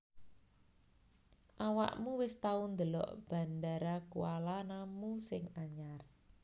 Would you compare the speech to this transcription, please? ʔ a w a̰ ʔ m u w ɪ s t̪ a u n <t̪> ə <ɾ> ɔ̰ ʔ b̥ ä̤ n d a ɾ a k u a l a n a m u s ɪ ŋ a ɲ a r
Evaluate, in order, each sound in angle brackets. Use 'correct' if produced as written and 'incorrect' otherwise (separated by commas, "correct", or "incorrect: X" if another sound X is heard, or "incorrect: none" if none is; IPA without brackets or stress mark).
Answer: incorrect: d̪, incorrect: l